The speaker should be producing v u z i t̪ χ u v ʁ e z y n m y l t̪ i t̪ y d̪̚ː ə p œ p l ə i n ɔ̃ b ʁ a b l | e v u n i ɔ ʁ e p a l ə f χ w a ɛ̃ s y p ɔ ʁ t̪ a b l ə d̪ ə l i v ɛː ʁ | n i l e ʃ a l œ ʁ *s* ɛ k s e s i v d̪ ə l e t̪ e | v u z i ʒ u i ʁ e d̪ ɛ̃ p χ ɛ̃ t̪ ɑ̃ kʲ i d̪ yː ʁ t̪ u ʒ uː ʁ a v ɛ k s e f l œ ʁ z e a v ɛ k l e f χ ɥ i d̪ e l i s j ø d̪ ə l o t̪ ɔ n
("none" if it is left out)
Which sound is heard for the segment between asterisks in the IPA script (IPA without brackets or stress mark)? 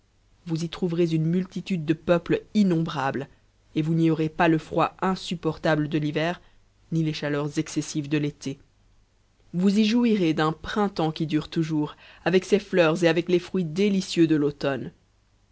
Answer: z